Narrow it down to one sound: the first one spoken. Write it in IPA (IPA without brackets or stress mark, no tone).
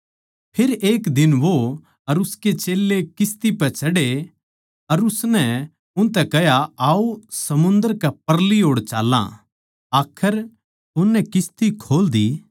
pʰ